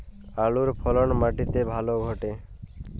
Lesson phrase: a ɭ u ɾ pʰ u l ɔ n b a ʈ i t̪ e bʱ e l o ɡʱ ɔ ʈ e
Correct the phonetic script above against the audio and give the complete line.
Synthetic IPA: a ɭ u ɾ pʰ ɔ l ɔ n m a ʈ i t̪ e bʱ a l o ɡʱ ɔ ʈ e